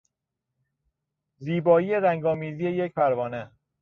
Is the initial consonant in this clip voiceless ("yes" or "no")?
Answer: no